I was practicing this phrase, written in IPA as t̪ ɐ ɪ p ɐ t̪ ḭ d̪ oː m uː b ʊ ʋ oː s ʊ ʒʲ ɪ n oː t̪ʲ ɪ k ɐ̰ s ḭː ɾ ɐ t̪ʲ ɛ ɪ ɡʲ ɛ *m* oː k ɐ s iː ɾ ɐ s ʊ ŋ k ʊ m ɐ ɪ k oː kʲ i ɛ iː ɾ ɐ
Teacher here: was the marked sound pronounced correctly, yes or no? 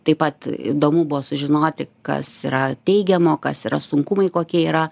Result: yes